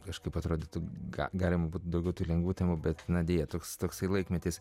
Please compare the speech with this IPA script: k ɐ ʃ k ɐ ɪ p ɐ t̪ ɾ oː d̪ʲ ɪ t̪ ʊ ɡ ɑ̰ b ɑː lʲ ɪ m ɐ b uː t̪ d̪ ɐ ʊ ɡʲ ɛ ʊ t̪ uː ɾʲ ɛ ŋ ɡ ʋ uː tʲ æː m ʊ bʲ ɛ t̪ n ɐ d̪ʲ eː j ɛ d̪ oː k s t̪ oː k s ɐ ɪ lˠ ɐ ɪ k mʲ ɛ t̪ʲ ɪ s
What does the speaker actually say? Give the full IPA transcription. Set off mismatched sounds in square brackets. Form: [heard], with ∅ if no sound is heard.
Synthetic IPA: k ɐ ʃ k ɐ ɪ p ɐ t̪ ɾ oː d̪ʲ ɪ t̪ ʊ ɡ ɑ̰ [ɡ] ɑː lʲ ɪ m ɐ b uː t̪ d̪ ɐ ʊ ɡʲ ɛ ʊ t̪ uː [lʲ] ɛ ŋ ɡ ʋ uː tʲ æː m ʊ bʲ ɛ t̪ n ɐ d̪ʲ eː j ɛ [t̪] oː k s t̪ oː k s ɐ ɪ lˠ ɐ ɪ k mʲ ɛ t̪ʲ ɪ s